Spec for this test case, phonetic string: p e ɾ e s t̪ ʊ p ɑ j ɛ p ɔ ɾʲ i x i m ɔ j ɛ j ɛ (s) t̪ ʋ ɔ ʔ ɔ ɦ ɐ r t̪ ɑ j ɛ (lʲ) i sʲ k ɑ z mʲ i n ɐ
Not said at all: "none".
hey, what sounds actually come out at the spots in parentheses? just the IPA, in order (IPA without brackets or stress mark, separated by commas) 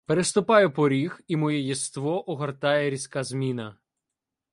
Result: s, ɾʲ